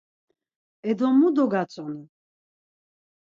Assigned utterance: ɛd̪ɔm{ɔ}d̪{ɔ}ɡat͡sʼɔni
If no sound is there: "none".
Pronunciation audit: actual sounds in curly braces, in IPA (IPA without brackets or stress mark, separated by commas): u, ɔ